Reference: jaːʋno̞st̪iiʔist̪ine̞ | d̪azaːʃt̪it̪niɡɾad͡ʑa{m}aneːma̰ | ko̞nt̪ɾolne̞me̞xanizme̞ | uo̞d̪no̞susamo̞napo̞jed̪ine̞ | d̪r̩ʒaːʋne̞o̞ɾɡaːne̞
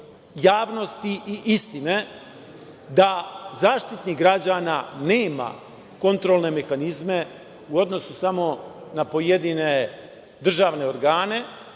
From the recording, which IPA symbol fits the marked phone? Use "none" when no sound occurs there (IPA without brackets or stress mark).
n